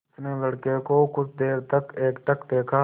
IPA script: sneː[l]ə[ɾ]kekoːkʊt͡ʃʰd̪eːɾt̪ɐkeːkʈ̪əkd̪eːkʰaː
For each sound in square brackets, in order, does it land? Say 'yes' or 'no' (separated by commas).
yes, no